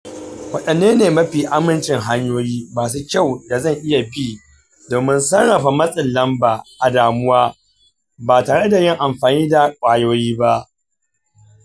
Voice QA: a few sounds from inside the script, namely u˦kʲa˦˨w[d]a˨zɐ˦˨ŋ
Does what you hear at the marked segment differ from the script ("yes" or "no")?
no